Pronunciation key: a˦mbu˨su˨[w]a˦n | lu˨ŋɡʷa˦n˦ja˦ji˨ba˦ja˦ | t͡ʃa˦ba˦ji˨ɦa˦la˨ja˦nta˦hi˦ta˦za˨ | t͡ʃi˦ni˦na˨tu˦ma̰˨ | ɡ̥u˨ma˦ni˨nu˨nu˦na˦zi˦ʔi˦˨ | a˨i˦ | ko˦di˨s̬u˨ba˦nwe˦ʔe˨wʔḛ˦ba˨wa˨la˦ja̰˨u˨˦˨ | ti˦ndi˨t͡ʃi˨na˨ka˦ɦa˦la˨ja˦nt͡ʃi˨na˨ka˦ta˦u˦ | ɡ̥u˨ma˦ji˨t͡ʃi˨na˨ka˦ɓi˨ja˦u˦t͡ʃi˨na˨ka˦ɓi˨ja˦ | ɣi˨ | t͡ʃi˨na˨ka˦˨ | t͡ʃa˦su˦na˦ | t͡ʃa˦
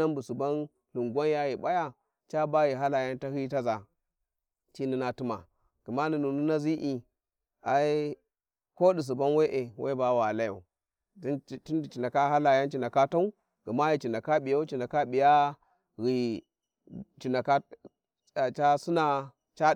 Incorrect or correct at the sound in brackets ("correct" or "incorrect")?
incorrect